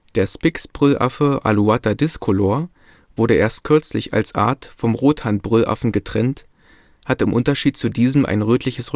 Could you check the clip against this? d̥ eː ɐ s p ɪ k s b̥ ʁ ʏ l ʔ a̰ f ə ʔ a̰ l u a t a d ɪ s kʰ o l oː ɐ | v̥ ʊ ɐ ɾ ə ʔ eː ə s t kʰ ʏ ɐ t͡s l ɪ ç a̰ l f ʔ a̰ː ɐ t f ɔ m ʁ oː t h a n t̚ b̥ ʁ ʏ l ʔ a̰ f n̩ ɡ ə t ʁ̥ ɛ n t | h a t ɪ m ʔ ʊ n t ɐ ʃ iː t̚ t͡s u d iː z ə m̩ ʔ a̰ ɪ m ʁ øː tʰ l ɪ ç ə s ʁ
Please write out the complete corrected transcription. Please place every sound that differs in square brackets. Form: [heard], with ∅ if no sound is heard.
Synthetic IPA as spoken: d̥ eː ɐ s p ɪ k s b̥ ʁ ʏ l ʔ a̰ f ə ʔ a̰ l u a t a d ɪ s kʰ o l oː ɐ | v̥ ʊ ɐ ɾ ə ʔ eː [ɐ] s t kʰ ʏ ɐ t͡s l ɪ ç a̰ l [s] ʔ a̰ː ɐ t f ɔ m ʁ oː t h a n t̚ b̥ ʁ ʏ l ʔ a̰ f n̩ ɡ ə t ʁ̥ ɛ n t | h a t ɪ m ʔ ʊ n t ɐ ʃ iː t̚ t͡s u d iː z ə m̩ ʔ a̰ ɪ [n] ʁ øː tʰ l ɪ ç ə s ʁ